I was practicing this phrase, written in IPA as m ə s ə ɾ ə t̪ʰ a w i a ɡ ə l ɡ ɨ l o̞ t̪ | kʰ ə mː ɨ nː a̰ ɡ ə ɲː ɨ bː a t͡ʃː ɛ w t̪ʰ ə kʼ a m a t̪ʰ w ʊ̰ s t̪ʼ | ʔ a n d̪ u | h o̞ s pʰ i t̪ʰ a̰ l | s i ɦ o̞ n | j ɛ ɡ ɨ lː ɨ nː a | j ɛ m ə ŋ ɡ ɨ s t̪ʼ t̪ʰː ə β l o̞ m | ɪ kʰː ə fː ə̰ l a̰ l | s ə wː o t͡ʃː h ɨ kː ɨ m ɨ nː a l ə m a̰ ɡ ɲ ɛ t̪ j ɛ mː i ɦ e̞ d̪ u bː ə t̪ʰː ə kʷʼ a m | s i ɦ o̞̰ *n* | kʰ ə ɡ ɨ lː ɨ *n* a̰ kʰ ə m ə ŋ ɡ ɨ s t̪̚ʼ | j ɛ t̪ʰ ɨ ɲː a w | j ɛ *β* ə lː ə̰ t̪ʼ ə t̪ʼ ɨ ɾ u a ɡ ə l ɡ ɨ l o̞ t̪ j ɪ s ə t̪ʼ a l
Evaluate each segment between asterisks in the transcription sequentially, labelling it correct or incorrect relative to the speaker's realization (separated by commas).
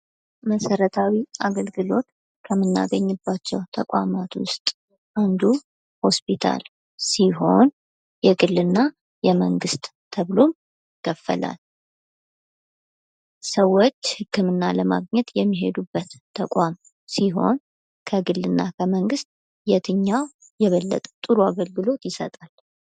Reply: correct, incorrect, correct